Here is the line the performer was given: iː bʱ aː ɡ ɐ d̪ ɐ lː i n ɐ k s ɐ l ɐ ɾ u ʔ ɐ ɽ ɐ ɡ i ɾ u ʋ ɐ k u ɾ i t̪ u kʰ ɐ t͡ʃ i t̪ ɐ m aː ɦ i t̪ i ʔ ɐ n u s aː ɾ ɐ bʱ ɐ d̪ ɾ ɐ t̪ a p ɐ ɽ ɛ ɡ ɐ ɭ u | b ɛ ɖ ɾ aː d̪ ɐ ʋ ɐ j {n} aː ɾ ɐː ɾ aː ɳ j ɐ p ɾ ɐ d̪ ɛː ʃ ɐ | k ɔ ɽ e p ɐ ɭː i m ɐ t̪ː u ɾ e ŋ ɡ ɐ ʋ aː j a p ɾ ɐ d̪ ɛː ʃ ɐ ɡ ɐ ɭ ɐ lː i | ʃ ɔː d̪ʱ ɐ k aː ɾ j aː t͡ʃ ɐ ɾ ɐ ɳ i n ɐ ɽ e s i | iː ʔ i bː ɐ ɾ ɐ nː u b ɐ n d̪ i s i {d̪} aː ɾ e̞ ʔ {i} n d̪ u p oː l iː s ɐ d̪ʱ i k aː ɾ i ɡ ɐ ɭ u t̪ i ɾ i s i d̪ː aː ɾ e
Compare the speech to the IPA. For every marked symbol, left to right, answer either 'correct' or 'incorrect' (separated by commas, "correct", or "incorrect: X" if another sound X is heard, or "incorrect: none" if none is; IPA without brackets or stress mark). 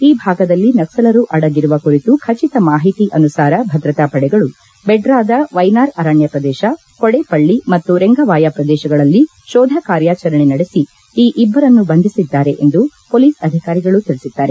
correct, incorrect: d̪ː, incorrect: e